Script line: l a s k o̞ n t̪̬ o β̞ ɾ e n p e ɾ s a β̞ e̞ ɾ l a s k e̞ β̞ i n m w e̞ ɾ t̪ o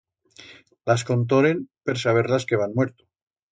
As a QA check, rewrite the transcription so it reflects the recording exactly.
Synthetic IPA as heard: l a s k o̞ n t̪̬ o ɾ e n p e ɾ s a β̞ e̞ ɾ l a s k e̞ β̞ a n m w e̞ ɾ t̪ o